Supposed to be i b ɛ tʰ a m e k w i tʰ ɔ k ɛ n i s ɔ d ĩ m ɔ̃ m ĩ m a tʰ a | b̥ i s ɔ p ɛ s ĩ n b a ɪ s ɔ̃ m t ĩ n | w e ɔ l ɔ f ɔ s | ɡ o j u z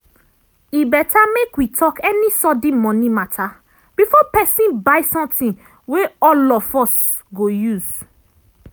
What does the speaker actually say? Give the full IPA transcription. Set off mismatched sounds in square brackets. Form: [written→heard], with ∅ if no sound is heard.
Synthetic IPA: i b ɛ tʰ a m e k w i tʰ ɔ k ɛ n i s ɔ d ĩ m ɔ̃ [m→n] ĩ m a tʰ a | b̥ i [s→f] ɔ p ɛ s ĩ n b a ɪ s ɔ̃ m t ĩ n | w e ɔ l ɔ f ɔ s | ɡ o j u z